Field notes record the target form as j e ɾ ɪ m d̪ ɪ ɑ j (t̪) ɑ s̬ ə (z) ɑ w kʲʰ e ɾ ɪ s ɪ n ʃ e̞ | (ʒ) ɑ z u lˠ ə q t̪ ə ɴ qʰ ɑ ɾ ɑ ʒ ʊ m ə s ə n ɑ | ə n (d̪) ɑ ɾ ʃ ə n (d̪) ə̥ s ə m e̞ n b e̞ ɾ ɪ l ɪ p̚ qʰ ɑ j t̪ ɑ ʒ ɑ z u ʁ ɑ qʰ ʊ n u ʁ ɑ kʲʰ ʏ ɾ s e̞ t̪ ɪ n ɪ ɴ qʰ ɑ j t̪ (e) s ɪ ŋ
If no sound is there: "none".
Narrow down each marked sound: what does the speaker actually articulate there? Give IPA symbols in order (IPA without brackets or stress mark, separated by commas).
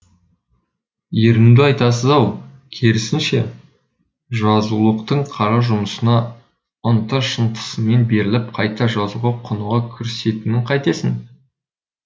t̪, z, ʒ, t̪, t̪, e